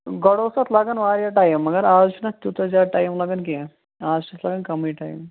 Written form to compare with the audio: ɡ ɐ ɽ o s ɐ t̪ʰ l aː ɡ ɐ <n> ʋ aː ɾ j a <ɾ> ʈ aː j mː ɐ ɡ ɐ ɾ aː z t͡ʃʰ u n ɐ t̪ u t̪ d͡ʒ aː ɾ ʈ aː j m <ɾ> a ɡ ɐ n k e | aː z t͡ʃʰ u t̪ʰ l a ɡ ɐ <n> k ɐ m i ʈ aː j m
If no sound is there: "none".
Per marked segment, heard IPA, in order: n, none, l, n

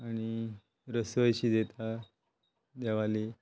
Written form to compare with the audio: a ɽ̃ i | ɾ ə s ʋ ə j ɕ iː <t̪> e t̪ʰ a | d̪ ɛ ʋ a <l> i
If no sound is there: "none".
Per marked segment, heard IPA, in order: d̪, l

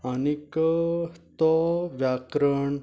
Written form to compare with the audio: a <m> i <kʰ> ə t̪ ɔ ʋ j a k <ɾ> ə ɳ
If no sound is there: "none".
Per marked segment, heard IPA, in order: n, k, ɾ

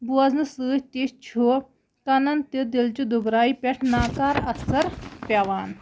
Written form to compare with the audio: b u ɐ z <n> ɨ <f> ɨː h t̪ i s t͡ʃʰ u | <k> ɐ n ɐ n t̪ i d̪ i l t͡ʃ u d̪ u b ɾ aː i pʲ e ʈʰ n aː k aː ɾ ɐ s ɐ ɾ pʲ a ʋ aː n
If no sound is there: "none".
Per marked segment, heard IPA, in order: n, s, k

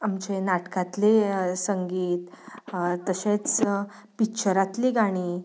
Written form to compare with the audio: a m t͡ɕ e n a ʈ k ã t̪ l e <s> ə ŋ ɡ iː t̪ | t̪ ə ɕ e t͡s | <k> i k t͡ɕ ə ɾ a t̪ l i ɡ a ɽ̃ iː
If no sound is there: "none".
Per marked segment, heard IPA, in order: s, p

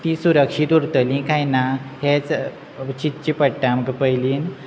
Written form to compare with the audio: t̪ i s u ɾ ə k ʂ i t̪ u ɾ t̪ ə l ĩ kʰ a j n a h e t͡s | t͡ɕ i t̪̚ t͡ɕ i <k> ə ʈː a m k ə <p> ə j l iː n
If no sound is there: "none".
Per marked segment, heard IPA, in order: p, p

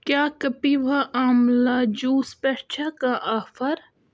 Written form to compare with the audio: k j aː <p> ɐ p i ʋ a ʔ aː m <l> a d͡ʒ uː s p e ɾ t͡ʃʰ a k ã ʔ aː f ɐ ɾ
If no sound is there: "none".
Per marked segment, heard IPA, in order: k, l

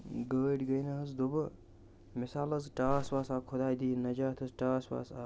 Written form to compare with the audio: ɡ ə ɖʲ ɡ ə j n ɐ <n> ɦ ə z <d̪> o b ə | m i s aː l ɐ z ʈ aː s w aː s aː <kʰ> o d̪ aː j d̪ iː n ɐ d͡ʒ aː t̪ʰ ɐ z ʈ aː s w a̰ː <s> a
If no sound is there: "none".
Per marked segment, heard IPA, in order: none, d̪, kʰ, s

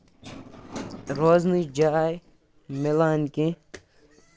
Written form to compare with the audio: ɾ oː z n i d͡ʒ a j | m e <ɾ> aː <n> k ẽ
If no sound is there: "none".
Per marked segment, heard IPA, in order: l, n

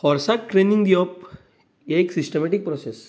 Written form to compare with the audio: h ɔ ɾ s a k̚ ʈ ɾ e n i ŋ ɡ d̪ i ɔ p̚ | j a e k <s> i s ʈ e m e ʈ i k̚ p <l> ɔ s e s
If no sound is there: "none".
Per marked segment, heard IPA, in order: s, ɾ

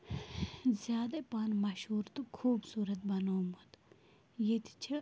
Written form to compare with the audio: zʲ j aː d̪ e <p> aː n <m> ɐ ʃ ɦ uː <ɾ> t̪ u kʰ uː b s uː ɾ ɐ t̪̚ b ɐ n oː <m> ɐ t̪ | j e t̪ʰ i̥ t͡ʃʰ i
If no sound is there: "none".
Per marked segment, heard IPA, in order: p, m, ɾ, m

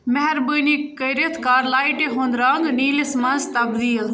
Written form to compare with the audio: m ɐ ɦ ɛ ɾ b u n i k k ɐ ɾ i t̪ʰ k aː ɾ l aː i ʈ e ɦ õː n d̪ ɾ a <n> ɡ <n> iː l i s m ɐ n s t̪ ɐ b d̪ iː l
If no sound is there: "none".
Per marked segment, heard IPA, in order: ŋ, n

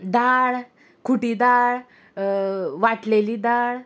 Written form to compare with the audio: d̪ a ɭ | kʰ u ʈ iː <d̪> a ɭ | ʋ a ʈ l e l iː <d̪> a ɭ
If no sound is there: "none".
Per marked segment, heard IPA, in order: d̪, d̪

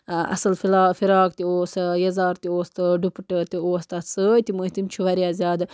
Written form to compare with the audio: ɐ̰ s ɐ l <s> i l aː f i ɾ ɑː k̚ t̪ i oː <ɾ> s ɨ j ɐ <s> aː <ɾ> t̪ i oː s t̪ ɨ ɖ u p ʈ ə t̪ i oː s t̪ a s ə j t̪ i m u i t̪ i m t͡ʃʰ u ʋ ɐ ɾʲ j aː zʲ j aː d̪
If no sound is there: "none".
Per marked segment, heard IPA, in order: f, none, z, ɾ

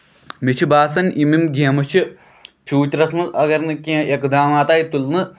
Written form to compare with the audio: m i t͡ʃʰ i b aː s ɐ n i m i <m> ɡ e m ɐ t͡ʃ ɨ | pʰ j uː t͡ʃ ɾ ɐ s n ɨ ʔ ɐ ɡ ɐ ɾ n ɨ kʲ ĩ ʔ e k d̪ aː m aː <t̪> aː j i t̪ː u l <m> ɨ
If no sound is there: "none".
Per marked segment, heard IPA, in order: m, t̪, n

